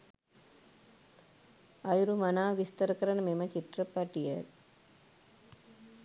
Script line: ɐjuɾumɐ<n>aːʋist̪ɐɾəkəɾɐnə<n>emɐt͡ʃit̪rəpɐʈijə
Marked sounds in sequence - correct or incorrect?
correct, incorrect: m

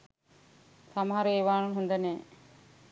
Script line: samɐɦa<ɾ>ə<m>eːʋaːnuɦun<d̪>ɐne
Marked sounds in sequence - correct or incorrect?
correct, incorrect: none, correct

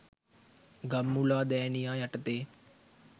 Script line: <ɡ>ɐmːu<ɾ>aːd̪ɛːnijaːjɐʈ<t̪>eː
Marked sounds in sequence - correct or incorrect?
correct, incorrect: l, correct

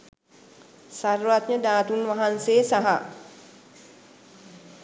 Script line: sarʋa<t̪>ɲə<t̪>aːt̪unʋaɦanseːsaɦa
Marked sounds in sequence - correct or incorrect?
correct, incorrect: d̪

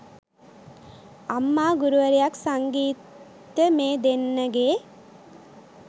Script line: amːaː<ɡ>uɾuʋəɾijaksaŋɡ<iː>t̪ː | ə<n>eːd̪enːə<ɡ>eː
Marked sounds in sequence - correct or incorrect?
correct, correct, incorrect: m, correct

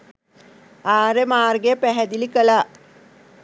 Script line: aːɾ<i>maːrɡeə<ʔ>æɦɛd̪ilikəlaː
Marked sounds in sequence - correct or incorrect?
incorrect: e, incorrect: p

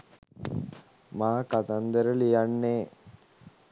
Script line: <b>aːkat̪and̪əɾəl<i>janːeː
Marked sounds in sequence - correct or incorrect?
incorrect: m, correct

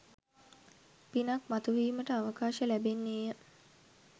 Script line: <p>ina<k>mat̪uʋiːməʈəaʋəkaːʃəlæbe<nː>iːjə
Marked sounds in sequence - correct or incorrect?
correct, correct, correct

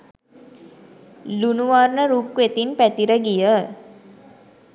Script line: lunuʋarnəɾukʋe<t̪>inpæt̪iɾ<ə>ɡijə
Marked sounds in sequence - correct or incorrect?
correct, correct

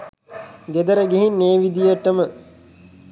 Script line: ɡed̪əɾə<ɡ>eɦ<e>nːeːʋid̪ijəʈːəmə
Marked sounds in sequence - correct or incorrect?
correct, incorrect: i

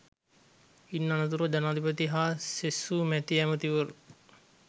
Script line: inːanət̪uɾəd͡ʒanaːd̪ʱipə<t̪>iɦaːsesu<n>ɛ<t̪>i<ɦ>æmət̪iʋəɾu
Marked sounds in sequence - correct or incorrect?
correct, incorrect: m, correct, incorrect: none

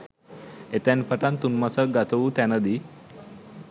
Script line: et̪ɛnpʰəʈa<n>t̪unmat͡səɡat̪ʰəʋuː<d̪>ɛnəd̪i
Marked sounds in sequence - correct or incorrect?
correct, incorrect: t̪

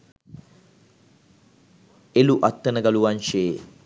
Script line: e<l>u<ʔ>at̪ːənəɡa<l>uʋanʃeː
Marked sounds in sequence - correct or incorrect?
correct, correct, correct

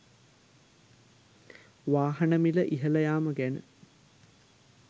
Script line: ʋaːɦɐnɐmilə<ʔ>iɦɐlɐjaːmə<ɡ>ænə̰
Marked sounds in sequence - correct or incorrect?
correct, correct

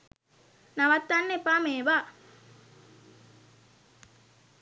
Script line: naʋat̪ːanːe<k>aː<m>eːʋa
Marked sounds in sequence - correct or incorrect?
incorrect: p, correct

